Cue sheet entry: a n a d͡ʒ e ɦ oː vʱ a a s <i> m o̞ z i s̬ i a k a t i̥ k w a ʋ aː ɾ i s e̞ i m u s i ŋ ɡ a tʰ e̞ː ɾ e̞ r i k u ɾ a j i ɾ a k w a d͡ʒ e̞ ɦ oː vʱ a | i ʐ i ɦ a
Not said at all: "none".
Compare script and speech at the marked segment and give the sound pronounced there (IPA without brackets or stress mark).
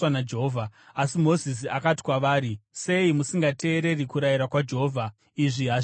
i